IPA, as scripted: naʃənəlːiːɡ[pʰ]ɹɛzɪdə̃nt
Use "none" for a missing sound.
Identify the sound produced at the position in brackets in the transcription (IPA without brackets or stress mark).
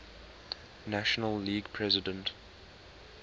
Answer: pʰ